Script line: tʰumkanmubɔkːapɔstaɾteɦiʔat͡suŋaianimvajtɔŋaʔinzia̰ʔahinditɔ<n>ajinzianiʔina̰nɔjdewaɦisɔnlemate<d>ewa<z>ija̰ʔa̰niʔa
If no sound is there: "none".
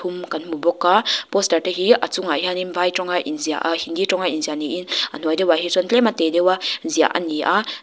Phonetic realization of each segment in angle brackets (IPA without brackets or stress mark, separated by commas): ŋ, d, z